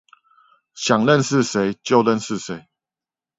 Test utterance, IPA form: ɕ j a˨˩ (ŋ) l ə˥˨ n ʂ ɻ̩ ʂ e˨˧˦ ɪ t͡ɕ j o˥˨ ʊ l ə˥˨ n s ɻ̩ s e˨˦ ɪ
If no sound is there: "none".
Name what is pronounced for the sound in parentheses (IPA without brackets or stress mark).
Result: ŋ